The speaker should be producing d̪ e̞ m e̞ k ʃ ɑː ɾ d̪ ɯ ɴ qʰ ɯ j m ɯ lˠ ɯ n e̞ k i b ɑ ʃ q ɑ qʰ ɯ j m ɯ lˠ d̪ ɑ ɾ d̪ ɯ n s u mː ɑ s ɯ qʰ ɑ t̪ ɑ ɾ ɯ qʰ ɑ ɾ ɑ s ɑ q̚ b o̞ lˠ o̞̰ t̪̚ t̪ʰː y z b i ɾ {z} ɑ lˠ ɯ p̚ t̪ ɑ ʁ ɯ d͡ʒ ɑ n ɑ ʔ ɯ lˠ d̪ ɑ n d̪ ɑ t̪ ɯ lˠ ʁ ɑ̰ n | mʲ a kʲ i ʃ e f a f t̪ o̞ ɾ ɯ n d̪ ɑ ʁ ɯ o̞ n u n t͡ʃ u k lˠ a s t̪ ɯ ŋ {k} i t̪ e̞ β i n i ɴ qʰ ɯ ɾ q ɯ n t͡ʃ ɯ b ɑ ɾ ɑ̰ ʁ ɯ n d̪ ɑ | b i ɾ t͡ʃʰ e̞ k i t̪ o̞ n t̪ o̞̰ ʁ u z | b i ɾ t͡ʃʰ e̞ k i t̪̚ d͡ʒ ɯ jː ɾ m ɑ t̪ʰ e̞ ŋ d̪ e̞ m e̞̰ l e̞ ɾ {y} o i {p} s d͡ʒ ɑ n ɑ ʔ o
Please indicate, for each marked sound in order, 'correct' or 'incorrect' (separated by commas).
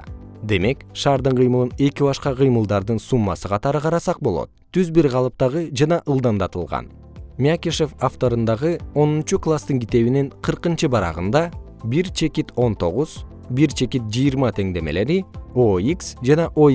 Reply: incorrect, incorrect, incorrect, incorrect